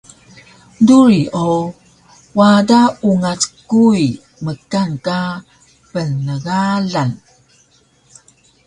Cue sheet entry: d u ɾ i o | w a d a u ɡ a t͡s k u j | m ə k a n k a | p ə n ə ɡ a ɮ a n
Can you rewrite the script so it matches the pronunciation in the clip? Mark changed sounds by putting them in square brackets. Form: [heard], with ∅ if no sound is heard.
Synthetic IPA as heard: d u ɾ i o | w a d a u [ŋ] a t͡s k u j | m ə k a n k a | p ə n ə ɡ a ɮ a n